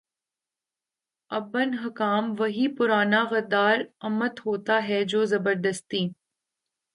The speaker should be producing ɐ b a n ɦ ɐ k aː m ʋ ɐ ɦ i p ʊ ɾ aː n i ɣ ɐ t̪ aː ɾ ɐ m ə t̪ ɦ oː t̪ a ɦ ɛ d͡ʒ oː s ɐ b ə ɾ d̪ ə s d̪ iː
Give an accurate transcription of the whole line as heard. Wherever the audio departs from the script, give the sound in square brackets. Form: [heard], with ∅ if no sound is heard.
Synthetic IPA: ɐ b [ə] n ɦ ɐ k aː m ʋ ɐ ɦ i p ʊ ɾ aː n [a] ɣ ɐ [d̪] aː ɾ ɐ m ə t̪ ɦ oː t̪ a ɦ ɛ d͡ʒ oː [z] ɐ b ə ɾ d̪ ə s [t̪] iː

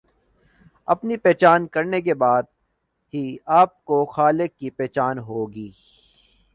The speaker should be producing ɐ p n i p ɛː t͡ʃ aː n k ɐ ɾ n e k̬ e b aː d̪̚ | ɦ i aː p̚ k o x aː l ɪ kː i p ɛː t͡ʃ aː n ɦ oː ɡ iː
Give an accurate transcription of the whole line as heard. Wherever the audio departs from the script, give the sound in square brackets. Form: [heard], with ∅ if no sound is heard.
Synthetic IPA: ɐ p n i p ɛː t͡ʃ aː n k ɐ ɾ n e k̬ e b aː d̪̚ | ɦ i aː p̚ k o x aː l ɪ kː i p ɛː t͡ʃ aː n ɦ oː ɡ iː

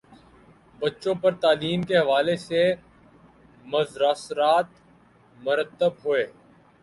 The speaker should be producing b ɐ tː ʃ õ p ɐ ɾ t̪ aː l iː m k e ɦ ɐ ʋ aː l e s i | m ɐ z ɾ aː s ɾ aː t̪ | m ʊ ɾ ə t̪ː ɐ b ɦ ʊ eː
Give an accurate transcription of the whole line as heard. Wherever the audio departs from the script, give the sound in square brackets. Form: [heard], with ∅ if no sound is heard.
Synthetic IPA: b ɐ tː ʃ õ p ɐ ɾ t̪ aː l iː m k e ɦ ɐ ʋ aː l e s [e] | m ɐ z ɾ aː s ɾ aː t̪ | m ʊ ɾ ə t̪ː [ə] b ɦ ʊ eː

